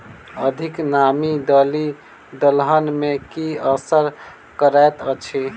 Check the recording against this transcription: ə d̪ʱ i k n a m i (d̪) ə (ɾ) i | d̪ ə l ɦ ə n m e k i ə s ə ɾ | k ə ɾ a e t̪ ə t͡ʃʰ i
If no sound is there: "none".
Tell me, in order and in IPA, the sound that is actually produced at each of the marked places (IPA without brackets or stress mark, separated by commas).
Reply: d̪, l